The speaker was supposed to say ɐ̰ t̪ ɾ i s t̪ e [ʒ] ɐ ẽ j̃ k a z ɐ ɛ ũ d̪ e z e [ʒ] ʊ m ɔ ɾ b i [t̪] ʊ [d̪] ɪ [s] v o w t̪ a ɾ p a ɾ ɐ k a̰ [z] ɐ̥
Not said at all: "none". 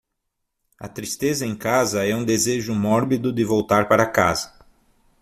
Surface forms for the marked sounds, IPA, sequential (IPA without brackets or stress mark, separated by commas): z, ʒ, d̪, d̪, none, z